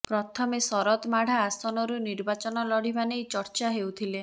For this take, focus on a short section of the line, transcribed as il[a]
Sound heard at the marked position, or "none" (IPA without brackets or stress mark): e